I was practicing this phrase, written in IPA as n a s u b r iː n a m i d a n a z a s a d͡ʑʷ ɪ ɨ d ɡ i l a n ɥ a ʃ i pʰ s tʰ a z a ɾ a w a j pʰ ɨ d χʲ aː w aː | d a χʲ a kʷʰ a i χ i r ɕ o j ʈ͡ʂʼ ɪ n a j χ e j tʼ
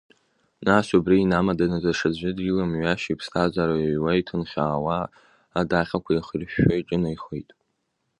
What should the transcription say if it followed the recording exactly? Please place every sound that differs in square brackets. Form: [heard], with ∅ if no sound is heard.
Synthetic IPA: n a s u b r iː n a m [a] d a n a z a [ʂ] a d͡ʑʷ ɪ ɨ d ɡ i l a [m] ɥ a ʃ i pʰ s tʰ a z a ɾ a w a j [tʰ] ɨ [n] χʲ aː w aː | d a χʲ a kʷʰ a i χ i r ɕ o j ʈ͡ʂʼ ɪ n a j χ e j tʼ